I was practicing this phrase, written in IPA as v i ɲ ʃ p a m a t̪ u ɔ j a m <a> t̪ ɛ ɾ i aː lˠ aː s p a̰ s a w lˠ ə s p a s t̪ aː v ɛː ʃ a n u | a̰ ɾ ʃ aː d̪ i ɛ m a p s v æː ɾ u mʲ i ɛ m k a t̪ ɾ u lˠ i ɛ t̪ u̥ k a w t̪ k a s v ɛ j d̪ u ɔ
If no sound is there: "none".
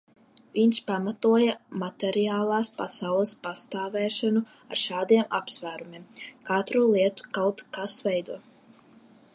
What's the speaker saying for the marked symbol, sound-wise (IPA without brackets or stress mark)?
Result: a